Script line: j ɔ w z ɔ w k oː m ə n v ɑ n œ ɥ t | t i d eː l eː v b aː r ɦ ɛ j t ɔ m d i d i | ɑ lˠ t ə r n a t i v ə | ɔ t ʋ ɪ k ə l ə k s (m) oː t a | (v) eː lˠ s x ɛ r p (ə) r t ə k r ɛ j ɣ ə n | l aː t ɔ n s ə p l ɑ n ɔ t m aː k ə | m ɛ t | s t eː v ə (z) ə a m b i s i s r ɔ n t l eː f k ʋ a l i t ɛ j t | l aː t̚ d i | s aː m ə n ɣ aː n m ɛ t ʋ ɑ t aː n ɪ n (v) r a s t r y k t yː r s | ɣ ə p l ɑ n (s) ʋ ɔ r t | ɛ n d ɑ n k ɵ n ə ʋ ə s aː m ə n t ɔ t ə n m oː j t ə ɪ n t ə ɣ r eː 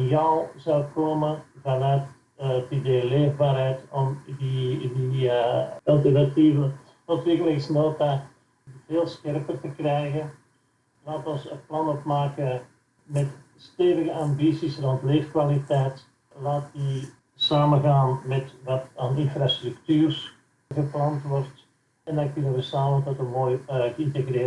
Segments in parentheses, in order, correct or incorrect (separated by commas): incorrect, correct, correct, incorrect, incorrect, incorrect